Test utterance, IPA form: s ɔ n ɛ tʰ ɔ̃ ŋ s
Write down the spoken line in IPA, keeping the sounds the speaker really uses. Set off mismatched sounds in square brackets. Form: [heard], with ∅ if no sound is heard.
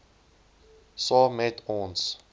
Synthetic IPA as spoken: s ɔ [m] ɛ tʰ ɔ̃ [n] s